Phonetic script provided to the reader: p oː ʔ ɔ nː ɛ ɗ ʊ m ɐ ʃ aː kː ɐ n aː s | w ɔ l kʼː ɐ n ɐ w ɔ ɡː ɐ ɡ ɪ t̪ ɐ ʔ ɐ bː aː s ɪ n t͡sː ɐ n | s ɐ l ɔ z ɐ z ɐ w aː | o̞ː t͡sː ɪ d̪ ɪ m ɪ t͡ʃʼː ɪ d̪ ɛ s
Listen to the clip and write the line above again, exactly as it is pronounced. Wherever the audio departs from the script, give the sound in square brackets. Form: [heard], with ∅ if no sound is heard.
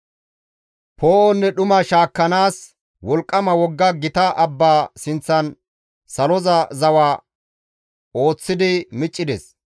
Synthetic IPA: p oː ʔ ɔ nː ɛ ɗ ʊ m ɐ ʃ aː kː ɐ n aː s | w ɔ l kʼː ɐ [m] ɐ w ɔ ɡː ɐ ɡ ɪ t̪ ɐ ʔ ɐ bː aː s ɪ n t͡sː ɐ n | s ɐ l ɔ z ɐ z ɐ w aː | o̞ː t͡sː ɪ d̪ ɪ m ɪ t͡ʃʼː ɪ d̪ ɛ s